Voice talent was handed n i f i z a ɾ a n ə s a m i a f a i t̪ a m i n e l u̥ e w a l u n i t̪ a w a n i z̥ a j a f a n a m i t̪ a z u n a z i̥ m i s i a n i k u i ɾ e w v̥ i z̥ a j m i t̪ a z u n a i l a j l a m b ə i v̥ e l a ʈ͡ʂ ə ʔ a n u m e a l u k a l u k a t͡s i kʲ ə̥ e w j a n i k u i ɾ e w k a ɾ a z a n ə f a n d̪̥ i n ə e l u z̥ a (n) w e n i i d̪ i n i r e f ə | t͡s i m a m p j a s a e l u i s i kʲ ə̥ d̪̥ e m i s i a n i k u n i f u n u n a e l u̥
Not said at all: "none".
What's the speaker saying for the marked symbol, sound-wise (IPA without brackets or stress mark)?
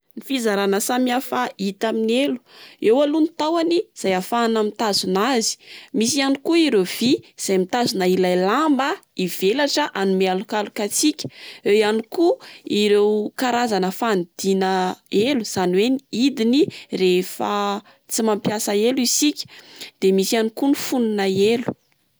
n